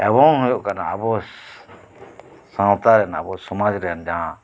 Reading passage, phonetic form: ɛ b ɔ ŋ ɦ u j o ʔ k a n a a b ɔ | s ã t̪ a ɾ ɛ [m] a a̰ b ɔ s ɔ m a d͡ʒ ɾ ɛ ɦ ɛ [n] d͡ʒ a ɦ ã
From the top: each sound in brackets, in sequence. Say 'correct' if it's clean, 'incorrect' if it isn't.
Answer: incorrect, correct

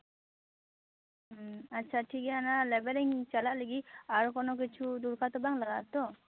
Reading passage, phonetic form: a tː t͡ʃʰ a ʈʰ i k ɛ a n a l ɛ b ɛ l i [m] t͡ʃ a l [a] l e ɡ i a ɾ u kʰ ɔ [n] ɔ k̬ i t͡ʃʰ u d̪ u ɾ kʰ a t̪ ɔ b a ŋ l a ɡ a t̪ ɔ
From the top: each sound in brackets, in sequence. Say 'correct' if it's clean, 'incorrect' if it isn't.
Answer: incorrect, correct, correct

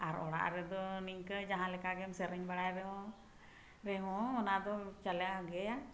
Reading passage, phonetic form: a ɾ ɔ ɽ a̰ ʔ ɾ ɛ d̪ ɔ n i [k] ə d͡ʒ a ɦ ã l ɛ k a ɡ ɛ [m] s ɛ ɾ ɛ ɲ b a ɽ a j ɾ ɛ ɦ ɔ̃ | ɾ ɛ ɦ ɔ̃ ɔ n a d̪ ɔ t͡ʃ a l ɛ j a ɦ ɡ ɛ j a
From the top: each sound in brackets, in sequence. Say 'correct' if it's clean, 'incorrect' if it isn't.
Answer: correct, correct

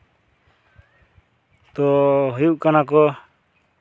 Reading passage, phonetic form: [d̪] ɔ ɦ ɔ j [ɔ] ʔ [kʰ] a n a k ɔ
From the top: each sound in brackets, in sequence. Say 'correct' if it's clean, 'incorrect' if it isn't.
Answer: incorrect, incorrect, incorrect

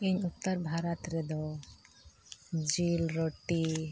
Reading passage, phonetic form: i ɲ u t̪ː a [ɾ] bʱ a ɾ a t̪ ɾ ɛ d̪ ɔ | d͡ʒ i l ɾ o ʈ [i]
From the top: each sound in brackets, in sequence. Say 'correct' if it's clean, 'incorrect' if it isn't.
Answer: correct, correct

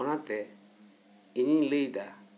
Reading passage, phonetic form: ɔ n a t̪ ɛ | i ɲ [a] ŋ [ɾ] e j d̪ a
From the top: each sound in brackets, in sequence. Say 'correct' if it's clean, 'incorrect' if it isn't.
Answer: incorrect, incorrect

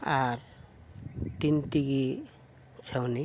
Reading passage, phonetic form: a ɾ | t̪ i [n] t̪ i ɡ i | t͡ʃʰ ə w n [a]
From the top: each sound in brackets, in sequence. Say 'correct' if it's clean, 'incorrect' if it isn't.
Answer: correct, incorrect

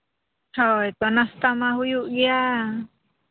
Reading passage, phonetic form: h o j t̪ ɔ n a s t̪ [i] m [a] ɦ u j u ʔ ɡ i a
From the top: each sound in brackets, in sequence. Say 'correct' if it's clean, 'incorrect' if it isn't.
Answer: incorrect, correct

